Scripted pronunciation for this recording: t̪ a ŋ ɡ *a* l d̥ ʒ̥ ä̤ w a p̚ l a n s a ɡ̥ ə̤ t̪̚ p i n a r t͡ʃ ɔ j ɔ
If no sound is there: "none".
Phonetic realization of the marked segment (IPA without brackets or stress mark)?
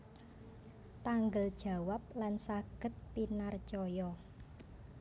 ə